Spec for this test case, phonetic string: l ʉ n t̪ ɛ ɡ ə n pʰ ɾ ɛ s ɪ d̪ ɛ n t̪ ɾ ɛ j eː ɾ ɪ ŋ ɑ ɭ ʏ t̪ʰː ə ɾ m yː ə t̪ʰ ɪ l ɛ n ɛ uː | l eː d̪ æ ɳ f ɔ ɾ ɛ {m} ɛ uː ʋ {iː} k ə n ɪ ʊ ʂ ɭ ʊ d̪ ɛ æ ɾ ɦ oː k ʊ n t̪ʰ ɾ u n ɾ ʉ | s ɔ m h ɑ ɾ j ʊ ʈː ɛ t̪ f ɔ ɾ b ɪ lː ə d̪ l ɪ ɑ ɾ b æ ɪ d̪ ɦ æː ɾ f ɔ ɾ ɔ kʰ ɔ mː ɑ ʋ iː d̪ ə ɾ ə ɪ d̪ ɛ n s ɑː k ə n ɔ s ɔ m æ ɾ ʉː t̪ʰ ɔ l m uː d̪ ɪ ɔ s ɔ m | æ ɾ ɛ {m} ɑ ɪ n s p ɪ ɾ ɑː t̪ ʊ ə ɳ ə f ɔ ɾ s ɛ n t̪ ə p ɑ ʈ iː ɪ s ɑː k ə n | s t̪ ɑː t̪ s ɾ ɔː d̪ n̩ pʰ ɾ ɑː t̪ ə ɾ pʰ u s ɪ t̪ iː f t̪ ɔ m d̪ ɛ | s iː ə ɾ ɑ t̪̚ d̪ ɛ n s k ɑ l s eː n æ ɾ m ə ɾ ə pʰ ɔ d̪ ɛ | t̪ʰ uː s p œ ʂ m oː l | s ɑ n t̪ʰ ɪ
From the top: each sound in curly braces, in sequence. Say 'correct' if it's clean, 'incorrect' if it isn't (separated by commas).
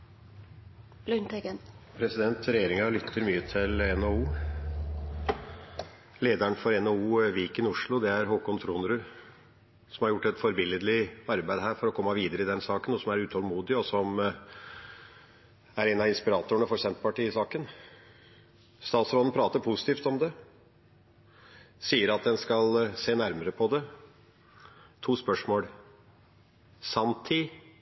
incorrect, correct, incorrect